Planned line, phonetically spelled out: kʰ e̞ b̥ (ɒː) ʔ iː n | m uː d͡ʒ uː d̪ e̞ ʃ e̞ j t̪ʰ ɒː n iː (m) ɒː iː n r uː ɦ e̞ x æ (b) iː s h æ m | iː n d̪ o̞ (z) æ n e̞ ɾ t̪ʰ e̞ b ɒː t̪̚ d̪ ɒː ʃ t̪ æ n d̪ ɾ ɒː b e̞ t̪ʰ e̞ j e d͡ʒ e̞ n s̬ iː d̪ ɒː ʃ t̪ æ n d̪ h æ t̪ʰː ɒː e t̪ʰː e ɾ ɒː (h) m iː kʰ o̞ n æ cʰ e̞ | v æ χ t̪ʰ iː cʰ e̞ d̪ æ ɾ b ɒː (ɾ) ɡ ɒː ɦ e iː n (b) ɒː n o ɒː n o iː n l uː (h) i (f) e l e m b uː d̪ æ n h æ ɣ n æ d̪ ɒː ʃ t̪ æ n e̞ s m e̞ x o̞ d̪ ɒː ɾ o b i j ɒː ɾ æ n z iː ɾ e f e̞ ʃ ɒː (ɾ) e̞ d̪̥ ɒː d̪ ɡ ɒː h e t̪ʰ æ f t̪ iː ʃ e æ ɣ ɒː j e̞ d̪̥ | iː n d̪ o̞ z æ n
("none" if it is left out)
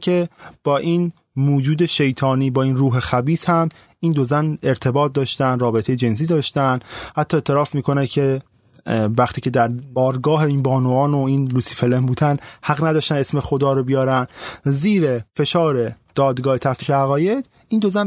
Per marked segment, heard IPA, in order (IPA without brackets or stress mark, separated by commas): ɒː, b, b, z, f, ɾ, b, s, f, ɾ